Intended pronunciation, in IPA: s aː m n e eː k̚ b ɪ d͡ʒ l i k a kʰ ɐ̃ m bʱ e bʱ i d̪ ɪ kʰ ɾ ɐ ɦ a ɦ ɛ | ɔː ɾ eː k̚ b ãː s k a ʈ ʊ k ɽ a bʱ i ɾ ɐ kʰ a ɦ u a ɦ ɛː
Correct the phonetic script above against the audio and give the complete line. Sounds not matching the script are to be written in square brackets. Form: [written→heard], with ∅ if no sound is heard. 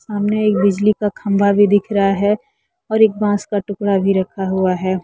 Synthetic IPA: s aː m n e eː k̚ b ɪ d͡ʒ l i k a kʰ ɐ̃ m bʱ [e→a] bʱ i d̪ ɪ kʰ ɾ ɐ ɦ a ɦ ɛ | ɔː ɾ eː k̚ b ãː s k a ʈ ʊ k ɽ a bʱ i ɾ ɐ kʰ a ɦ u a ɦ ɛː